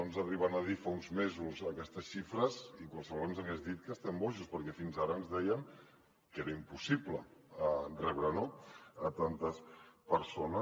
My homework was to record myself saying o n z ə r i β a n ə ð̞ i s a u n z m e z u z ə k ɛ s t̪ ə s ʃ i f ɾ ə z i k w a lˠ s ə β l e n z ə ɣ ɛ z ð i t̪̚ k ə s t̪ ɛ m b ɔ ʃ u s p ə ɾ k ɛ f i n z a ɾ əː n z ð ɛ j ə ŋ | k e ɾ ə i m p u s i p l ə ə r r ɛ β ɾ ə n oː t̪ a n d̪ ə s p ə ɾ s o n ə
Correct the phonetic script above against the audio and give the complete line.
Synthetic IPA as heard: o n z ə r i β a n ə ð̞ i f a u n z m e z u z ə k ɛ s t̪ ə s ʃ i f ɾ ə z i k w a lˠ s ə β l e n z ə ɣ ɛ z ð i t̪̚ k ə s t̪ ɛ m b ɔ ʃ u s p ə ɾ k ɛ f i n z a ɾ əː n z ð ɛ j ə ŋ | k e ɾ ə i m p u s i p l ə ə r r ɛ β ɾ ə n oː t̪ a n t̪ ə s p ə ɾ s o n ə